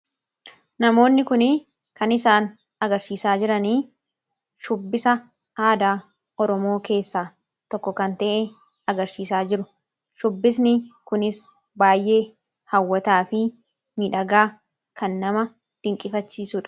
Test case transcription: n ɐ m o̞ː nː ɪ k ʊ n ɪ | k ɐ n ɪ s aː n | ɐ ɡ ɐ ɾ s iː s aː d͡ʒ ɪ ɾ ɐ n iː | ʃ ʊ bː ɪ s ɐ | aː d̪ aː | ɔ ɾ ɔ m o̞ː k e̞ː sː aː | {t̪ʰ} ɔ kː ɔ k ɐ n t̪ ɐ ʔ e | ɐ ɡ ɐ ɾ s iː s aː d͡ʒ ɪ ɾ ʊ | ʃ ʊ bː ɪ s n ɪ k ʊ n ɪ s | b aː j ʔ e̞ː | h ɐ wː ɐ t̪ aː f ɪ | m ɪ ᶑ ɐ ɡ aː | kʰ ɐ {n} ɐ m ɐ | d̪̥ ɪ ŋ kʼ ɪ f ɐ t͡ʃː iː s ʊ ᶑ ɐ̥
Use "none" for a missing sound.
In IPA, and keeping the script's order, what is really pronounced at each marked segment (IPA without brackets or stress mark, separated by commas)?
t̪, nː